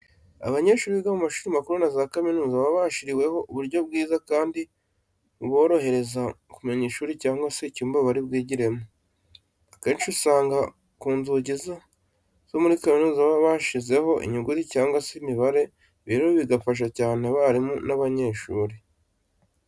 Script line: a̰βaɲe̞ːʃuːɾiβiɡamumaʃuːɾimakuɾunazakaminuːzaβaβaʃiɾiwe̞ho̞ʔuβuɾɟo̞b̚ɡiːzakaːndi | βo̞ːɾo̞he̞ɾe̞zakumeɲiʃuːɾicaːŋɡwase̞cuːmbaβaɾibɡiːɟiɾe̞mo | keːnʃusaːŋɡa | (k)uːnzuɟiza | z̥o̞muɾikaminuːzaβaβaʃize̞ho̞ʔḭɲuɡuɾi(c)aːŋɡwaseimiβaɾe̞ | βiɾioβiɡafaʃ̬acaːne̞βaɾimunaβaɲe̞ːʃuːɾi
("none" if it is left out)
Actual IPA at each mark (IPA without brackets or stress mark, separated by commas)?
k, c